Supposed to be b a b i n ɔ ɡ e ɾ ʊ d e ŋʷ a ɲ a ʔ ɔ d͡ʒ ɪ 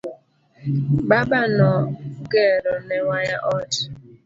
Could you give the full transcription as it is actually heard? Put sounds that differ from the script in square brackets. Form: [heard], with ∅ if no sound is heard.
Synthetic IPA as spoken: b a b [a] n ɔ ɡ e ɾ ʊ [n] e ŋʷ a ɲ a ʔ ɔ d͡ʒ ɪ